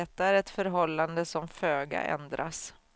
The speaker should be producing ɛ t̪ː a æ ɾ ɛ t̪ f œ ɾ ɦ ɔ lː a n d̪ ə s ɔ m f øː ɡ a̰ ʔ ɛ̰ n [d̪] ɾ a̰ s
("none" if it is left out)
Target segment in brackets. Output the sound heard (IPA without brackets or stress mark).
d̪